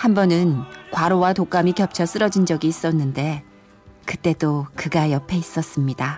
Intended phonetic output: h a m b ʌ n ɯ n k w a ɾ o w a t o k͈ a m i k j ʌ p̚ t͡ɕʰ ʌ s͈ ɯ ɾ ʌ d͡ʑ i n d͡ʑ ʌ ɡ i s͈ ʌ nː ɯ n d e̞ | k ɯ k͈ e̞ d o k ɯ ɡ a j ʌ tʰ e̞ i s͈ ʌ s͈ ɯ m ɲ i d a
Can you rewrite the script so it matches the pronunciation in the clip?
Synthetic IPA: h a m b ʌ n ɯ n k w a ɾ o w a t o k͈ a m i k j ʌ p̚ t͡ɕʰ ʌ s͈ ɯ ɾ ʌ d͡ʑ i n d͡ʑ ʌ ɡ iː s͈ ʌ nː ɯ n d e̞ | k ɯ t͈ e̞ d o k ɯ ɡ a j ʌ pʰ e̞ i s͈ ʌ s͈ ɯ m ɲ i d a